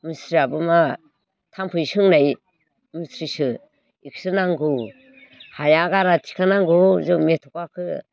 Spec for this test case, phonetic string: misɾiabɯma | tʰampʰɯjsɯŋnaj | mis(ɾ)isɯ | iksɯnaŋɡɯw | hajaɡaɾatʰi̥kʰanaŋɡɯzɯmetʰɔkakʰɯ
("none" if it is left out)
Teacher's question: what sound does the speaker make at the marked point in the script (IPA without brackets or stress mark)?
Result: ɾ